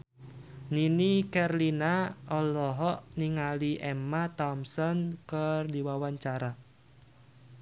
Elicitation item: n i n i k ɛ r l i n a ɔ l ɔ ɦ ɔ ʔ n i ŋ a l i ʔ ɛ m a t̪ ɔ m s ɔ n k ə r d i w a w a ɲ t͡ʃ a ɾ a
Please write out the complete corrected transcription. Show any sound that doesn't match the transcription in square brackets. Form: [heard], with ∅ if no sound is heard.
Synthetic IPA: n i n i k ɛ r l i n a ɔ l ɔ ɦ ɔ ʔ n i ŋ a l i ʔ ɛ m a t̪ ɔ m s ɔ n k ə r d i w a w a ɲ t͡ʃ a ɾ a